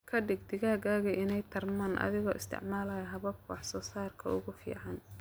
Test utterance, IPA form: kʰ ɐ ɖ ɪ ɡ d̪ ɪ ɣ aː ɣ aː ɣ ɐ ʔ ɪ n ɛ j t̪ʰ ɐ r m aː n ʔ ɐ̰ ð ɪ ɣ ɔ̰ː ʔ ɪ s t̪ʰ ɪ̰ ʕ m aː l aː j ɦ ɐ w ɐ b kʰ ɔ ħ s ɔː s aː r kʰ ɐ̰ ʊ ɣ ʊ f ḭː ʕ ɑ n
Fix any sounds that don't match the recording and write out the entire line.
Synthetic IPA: kʰ ɐ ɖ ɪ ɡ d̪ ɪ ɣ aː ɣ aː ɣ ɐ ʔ ɪ n ɛ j t̪ʰ ɐ r m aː n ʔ ɐ̰ ð ɪ ɣ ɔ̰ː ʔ ɪ s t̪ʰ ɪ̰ ʕ m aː l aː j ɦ ɐ β ɐ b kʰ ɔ ħ s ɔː s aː r kʰ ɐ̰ ʊ ɣ ʊ f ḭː ʕ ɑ n